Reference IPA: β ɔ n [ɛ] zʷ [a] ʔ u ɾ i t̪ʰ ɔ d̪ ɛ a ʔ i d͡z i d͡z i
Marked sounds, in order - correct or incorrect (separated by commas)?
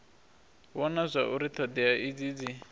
incorrect, correct